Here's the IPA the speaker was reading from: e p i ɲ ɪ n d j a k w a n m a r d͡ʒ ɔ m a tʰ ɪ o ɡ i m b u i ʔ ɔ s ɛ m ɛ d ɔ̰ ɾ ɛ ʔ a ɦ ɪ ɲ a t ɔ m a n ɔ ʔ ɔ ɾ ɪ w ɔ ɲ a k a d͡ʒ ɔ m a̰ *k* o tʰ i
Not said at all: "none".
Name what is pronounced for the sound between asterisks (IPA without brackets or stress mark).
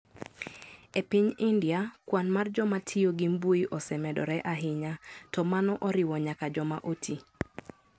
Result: ʔ